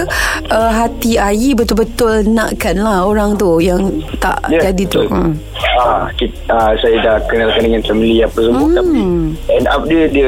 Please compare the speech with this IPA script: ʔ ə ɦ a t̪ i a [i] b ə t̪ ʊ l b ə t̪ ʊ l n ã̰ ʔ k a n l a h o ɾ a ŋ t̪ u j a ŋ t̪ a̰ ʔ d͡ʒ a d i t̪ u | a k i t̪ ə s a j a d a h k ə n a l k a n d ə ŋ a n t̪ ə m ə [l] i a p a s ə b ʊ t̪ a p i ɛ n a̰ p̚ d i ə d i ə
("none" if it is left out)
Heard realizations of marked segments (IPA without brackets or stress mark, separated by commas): i, l